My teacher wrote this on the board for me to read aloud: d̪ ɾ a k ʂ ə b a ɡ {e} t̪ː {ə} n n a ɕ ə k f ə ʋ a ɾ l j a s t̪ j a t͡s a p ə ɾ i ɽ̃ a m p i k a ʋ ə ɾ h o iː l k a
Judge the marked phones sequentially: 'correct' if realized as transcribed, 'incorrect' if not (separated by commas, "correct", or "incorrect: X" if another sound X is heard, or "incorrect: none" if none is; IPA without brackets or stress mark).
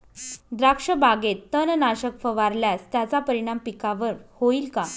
correct, correct